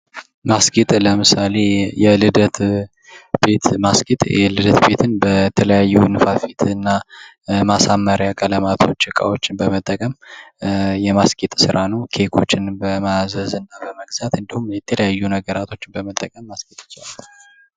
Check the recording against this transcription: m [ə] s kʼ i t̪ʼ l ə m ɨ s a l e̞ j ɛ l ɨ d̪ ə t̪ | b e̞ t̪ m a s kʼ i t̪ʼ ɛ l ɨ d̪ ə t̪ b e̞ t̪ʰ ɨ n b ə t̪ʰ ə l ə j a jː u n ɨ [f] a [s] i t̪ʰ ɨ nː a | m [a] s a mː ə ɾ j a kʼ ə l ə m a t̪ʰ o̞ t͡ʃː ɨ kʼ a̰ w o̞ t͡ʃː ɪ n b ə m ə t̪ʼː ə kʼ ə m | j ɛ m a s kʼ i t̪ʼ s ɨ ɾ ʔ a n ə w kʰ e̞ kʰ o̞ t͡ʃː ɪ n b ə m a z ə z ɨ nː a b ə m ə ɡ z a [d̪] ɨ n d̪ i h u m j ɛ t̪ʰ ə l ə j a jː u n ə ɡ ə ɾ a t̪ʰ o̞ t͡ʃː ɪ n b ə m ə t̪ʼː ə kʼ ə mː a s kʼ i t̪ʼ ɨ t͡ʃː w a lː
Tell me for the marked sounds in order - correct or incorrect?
incorrect: a, correct, incorrect: f, correct, incorrect: t̪

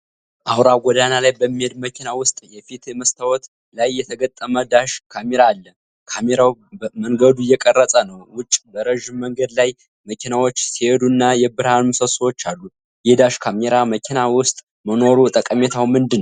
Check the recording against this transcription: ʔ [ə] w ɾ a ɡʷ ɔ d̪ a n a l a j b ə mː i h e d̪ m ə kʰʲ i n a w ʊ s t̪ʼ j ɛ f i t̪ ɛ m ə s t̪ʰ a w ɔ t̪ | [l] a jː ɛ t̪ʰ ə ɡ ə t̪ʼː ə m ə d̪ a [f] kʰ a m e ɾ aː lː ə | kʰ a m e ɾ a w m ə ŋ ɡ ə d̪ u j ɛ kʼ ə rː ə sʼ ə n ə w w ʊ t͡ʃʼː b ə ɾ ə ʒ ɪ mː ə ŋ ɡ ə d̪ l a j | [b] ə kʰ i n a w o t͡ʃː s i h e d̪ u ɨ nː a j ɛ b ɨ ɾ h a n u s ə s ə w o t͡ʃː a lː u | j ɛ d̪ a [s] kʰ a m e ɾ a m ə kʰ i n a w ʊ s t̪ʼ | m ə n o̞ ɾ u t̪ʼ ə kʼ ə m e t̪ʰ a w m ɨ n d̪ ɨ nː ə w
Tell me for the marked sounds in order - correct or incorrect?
incorrect: a, correct, incorrect: ʃ, incorrect: m, incorrect: ʃ

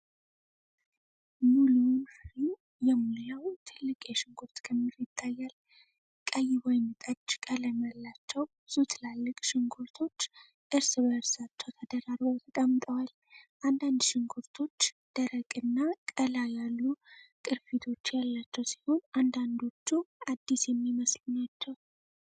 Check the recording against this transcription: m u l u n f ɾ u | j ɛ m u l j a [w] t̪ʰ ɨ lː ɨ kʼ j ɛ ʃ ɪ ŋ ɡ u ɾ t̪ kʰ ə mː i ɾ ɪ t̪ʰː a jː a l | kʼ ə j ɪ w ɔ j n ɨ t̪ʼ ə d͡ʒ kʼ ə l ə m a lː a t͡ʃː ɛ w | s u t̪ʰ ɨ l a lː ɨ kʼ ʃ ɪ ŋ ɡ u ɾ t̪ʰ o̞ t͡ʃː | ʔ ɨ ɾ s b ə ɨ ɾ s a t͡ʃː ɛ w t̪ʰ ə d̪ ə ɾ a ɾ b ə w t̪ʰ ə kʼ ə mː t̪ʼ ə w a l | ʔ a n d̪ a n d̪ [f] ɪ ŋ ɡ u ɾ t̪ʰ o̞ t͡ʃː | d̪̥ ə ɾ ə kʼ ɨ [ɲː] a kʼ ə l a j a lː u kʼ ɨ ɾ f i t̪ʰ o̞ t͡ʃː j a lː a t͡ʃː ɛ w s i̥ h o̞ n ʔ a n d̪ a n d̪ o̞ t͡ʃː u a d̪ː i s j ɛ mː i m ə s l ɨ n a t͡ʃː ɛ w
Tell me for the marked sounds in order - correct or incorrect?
correct, incorrect: ʃ, incorrect: nː

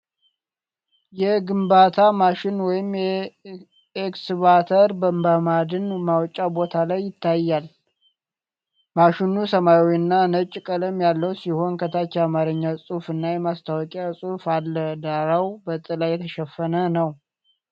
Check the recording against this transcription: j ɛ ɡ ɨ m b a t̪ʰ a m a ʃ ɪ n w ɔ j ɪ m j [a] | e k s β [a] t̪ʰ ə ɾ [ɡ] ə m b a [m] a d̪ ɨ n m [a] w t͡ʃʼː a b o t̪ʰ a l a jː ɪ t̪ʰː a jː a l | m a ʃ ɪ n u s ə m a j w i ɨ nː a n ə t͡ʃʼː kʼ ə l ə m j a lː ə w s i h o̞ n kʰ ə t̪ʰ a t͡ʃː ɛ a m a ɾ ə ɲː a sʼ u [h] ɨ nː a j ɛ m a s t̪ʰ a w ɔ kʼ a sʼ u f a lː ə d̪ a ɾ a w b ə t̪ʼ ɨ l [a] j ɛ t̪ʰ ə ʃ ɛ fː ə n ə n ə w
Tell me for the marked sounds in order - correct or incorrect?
incorrect: ɛ, correct, incorrect: b, correct, correct, incorrect: f, correct

